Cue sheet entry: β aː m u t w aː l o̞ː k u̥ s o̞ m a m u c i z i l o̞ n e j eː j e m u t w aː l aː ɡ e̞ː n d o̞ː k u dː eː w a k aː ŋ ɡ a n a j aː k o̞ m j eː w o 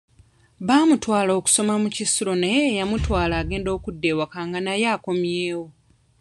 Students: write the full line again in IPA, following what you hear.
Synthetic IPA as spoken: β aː m u t w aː l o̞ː k u̥ s o̞ m a m u c i s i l o̞ n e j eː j a m u t w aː l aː ɡ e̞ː n d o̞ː k u dː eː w a k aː ŋ ɡ a n a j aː k o̞ m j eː w o